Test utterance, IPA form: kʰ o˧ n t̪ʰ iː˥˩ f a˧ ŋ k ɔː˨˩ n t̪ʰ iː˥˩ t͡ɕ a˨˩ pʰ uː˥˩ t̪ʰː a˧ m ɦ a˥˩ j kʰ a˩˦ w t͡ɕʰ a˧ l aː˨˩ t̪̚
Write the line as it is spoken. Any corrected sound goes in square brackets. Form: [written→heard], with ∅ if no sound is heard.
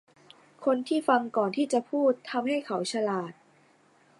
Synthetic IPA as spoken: kʰ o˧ n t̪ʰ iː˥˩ f a˧ ŋ k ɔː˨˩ n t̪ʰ iː˥˩ t͡ɕ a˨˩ pʰ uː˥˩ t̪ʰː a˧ m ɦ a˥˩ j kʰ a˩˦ w t͡ɕʰ a˧ l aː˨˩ t̪̚